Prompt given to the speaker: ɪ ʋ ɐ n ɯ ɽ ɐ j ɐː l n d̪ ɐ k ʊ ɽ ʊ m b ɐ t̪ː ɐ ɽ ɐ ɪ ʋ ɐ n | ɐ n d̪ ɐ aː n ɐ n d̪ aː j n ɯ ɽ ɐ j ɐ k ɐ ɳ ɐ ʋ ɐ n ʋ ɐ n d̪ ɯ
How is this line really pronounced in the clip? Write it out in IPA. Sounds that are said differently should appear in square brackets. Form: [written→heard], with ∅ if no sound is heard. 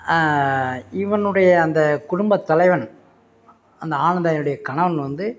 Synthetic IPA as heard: ɪ ʋ ɐ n ɯ ɽ ɐ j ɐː [l→∅] n d̪ ɐ k ʊ ɽ ʊ m b ɐ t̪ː ɐ [ɽ→l] ɐ ɪ ʋ ɐ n | ɐ n d̪ ɐ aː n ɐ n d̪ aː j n ɯ ɽ ɐ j ɐ k ɐ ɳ ɐ ʋ ɐ n ʋ ɐ n d̪ ɯ